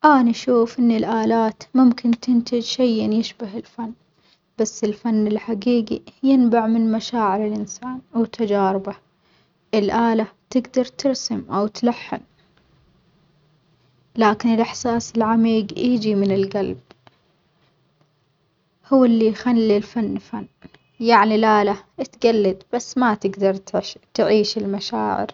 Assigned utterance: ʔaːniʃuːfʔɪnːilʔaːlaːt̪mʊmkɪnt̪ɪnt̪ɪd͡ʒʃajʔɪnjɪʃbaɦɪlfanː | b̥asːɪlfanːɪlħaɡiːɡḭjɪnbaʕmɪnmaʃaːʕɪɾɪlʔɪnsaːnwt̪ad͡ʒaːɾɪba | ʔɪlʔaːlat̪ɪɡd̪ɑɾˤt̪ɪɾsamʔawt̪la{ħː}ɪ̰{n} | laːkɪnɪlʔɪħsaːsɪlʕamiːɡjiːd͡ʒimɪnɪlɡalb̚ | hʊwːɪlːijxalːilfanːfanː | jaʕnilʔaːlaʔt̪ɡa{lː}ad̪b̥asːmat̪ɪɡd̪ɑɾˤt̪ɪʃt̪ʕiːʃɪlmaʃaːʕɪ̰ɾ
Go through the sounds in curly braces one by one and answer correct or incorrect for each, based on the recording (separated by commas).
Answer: correct, correct, correct